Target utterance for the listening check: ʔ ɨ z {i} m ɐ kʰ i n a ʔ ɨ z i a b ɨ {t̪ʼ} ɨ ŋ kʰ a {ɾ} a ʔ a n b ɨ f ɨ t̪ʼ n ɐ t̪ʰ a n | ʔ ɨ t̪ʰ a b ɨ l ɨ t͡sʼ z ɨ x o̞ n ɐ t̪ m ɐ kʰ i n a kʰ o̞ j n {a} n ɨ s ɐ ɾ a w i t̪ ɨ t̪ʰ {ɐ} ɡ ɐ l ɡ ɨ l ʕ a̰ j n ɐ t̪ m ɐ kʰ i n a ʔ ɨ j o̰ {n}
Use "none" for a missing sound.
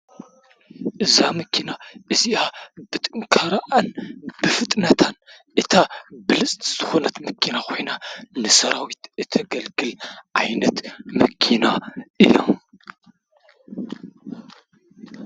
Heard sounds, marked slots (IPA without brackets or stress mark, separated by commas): a, t̪ʼ, ɾ, a, ɐ, m